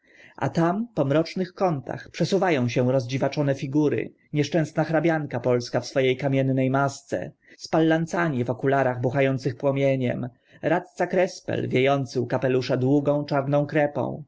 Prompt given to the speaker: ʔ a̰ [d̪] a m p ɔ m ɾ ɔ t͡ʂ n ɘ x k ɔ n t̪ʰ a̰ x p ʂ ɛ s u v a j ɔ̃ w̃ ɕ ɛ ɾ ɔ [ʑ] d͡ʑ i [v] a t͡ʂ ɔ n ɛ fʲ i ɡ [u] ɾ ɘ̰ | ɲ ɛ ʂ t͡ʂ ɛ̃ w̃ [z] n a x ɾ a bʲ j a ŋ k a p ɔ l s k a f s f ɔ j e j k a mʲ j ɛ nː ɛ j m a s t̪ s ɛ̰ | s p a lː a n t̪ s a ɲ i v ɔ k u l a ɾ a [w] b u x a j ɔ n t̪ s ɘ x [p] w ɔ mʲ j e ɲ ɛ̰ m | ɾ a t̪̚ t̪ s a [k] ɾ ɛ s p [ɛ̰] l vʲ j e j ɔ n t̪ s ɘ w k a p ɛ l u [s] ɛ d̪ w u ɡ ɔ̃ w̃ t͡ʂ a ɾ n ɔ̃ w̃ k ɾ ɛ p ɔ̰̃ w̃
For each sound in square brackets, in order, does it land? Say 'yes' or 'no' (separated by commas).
no, no, yes, yes, no, no, yes, yes, yes, no